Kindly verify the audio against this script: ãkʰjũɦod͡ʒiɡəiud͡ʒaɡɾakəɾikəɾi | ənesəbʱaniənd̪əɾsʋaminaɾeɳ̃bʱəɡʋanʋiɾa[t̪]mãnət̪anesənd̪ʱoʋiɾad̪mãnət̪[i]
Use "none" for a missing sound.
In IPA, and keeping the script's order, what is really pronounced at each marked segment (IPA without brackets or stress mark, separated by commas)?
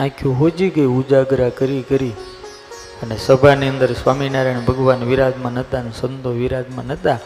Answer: d̪, a